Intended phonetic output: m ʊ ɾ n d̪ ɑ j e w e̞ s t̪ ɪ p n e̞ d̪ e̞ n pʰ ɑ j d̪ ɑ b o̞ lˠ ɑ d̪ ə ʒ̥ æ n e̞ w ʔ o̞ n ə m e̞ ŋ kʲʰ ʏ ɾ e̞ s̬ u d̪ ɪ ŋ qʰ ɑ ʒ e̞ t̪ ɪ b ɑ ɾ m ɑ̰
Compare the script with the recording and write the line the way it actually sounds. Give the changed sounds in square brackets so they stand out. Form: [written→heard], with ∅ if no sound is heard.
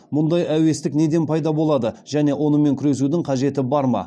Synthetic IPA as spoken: m ʊ [ɾ→∅] n d̪ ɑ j [e→æ] w e̞ s t̪ ɪ [p→k] n e̞ d̪ e̞ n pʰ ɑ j d̪ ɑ b o̞ lˠ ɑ d̪ ə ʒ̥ æ n e̞ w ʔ o̞ n ə m e̞ ŋ kʲʰ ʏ ɾ e̞ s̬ u d̪ ɪ ŋ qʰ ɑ ʒ e̞ t̪ ɪ b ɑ ɾ m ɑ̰